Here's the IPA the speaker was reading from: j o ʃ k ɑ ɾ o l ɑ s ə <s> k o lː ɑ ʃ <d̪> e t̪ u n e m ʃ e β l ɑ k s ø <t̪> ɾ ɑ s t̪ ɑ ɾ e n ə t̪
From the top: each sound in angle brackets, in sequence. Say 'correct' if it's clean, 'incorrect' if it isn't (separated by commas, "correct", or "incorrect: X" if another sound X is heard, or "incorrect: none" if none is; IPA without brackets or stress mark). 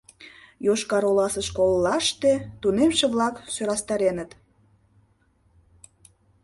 incorrect: ʃ, incorrect: t̪, incorrect: none